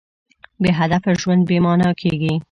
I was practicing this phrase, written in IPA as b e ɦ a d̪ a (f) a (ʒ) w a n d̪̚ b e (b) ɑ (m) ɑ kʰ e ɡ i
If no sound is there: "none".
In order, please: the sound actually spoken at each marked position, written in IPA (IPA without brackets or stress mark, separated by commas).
f, ʒ, m, n